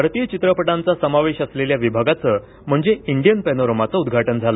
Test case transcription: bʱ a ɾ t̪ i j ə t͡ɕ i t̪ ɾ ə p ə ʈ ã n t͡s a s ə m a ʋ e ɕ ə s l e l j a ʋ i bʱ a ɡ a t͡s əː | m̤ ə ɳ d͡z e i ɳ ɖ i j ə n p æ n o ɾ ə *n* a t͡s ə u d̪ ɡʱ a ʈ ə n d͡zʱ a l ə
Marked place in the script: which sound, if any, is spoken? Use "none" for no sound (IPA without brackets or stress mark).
m